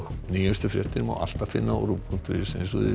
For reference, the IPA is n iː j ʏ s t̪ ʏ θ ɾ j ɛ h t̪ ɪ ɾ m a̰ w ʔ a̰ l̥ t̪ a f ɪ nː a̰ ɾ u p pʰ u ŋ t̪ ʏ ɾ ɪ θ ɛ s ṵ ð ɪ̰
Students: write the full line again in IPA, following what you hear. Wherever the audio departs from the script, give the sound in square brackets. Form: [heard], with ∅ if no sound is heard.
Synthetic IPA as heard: n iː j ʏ s t̪ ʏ [f] ɾ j ɛ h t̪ ɪ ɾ m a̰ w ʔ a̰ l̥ t̪ a f ɪ nː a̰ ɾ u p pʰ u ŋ t̪ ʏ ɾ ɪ [s] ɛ s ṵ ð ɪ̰